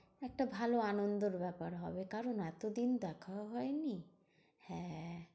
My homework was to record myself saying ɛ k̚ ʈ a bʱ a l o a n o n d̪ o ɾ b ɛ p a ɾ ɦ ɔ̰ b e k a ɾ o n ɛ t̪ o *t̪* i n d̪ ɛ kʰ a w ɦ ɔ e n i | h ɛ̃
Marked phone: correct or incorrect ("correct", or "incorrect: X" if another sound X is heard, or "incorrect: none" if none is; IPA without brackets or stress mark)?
incorrect: d̪